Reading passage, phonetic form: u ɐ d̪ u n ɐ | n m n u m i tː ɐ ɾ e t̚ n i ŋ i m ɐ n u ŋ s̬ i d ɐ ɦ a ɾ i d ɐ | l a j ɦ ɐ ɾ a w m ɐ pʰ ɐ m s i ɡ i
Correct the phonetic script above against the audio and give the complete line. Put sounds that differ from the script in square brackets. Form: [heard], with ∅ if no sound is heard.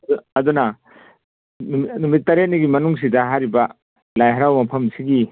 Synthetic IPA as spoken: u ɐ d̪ u n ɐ | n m n u m i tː ɐ ɾ e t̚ n i [ɡ] i m ɐ n u ŋ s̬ i d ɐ ɦ a ɾ i [b] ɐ | l a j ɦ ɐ ɾ a w m ɐ pʰ ɐ m s i ɡ i